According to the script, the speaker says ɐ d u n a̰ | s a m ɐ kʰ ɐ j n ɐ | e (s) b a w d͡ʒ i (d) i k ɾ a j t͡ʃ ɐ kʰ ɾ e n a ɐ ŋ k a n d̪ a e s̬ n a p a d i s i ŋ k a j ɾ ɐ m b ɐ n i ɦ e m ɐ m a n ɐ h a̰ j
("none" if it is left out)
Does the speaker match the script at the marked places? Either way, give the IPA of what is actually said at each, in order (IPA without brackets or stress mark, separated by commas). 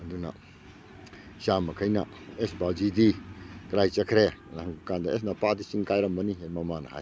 s, d